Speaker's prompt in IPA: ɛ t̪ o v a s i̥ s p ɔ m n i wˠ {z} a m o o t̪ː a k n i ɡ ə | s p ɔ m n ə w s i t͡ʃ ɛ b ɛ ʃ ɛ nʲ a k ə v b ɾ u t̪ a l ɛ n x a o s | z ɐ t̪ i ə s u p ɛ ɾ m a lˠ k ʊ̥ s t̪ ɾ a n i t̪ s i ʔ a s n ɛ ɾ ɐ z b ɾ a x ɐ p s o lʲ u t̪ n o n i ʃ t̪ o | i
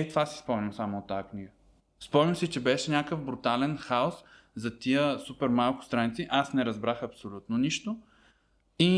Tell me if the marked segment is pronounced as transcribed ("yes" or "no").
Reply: no